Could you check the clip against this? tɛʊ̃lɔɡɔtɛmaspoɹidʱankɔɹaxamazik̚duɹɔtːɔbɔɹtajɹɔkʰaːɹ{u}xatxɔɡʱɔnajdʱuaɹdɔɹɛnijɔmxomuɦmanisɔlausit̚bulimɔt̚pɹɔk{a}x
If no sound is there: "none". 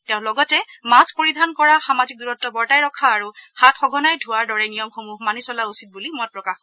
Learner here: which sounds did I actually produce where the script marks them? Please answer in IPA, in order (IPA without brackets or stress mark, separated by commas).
u, a